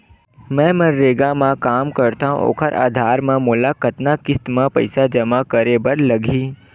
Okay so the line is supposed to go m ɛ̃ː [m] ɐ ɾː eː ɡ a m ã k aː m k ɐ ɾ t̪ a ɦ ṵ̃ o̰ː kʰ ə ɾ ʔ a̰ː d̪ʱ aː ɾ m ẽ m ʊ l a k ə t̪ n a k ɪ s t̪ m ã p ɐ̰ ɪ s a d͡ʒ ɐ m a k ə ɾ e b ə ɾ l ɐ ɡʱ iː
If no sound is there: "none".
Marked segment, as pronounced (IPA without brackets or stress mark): m